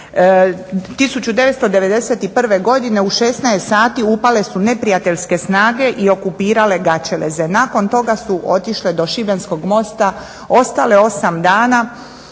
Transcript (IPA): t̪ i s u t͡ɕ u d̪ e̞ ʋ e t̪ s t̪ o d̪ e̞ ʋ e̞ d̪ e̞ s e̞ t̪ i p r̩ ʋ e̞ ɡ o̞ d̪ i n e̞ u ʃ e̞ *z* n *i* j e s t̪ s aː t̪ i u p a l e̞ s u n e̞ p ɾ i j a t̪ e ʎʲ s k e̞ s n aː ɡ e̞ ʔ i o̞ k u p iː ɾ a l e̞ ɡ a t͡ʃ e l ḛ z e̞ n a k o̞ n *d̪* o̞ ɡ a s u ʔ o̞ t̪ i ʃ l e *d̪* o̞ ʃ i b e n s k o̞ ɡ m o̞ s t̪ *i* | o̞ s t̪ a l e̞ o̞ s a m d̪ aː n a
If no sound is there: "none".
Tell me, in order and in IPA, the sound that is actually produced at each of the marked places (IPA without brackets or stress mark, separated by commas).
s, a, t̪, d̪, a